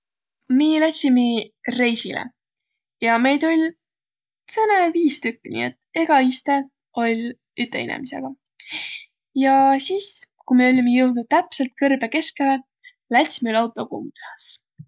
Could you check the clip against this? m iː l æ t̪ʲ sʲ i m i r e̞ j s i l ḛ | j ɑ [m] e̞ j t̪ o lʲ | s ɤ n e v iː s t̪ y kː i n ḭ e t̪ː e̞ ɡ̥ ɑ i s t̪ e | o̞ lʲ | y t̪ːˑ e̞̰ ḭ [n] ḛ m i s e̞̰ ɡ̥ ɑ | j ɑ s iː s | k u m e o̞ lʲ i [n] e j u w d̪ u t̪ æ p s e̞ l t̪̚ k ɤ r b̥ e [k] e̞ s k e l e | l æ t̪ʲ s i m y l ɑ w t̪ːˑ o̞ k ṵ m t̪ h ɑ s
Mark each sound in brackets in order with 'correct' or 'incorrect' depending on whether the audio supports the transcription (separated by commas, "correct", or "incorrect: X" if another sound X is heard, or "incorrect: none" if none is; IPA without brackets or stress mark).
correct, correct, incorrect: m, correct